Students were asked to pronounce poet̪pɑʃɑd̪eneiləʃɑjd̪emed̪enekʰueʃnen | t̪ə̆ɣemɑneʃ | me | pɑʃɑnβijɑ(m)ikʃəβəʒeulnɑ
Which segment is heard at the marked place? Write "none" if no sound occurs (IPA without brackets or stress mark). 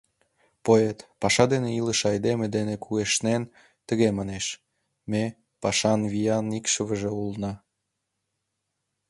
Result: n